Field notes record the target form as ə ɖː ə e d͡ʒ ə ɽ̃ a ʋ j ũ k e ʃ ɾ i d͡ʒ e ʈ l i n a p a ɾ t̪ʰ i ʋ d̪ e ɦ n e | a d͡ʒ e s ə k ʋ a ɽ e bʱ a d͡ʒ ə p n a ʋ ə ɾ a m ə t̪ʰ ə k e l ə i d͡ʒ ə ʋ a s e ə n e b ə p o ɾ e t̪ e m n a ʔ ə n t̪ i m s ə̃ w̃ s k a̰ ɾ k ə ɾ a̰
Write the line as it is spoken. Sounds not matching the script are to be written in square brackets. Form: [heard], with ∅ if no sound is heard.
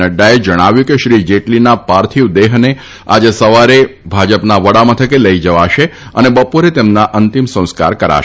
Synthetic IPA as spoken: ə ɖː [a] e d͡ʒ ə ɽ̃ a ʋ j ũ k e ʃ ɾ i d͡ʒ e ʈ l i n a p a ɾ t̪ʰ i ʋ d̪ e ɦ n e | a d͡ʒ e s ə [∅] ʋ a [ɾ] e bʱ a d͡ʒ ə p n a ʋ ə [ɽ] a m ə t̪ʰ ə k e l ə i d͡ʒ ə ʋ a [ʃ] e ə n e b ə p o ɾ e t̪ e m n a ʔ ə n t̪ i m s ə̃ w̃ s k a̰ ɾ k ə ɾ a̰